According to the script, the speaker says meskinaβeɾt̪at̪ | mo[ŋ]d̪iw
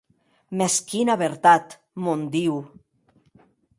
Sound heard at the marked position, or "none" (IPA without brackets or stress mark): n